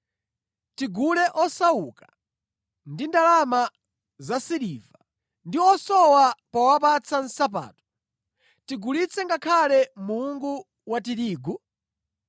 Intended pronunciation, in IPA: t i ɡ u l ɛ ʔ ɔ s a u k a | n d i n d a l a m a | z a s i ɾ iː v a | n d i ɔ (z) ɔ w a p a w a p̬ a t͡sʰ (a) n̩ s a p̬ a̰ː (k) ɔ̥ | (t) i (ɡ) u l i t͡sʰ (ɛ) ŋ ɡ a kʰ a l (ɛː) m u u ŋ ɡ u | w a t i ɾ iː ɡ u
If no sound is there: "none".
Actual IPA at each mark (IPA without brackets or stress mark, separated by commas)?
s, a, t, t, ɡ, ɛ, ɛ